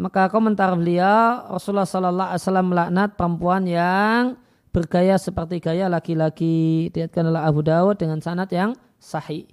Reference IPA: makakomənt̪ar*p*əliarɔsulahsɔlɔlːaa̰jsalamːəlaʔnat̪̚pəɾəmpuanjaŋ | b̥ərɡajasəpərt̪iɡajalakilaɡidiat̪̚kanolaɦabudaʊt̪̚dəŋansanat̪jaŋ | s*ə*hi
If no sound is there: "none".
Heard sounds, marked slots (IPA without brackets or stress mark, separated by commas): b, a